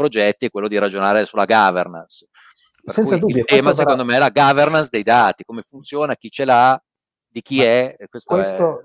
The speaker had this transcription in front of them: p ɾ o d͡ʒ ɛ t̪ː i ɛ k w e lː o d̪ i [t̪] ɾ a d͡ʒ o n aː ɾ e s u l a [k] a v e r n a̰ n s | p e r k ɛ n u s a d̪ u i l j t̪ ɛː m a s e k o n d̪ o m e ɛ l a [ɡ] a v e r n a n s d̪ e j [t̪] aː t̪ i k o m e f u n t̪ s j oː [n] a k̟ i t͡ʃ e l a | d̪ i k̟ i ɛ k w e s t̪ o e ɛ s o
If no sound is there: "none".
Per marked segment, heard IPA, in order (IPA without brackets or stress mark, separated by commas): none, ɡ, ɡ, d̪, n